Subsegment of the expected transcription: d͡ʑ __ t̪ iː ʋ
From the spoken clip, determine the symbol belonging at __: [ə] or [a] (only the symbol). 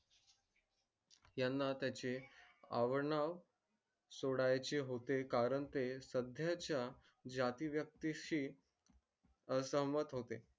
a